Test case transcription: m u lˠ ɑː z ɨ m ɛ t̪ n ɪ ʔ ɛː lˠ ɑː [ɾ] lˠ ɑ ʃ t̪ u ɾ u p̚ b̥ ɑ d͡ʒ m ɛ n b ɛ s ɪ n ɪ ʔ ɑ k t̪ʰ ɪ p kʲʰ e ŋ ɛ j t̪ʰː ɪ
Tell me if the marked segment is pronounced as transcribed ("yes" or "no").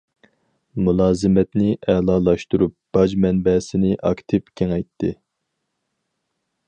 no